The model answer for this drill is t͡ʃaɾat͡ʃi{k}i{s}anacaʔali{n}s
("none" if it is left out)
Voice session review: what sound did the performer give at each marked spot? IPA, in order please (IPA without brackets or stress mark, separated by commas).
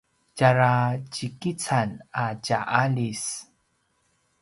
k, t͡s, none